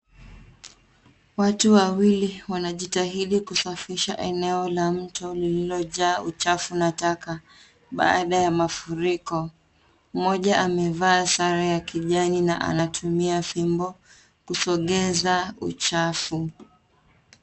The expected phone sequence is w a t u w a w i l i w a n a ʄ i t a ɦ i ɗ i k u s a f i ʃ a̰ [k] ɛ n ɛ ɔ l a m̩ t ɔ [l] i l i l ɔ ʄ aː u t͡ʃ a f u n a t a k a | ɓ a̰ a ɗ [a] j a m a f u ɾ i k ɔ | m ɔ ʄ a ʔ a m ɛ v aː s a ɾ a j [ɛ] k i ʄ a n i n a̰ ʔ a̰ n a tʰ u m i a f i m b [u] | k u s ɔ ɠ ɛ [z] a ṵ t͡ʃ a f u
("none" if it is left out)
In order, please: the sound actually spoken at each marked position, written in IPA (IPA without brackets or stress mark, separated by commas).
ʔ, l, a, a, ɔ, z